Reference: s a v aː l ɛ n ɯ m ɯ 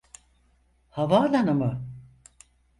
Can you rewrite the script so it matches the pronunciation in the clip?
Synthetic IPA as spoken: h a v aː l a n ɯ m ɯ